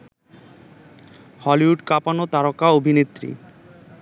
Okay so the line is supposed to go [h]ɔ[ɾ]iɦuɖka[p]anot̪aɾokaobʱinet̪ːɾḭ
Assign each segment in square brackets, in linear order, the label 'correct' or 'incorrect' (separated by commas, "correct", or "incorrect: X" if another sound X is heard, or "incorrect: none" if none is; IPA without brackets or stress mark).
correct, incorrect: l, correct